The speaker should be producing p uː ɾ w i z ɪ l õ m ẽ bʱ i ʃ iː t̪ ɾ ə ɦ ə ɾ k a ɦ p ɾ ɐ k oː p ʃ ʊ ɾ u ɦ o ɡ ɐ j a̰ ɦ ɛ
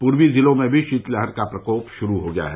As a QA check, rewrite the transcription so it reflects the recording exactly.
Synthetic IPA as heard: p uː ɾ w i z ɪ l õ m ẽ bʱ i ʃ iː t̪ l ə ɦ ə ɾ k a p ɾ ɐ k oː p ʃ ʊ ɾ u ɦ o ɡ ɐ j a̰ ɦ ɛ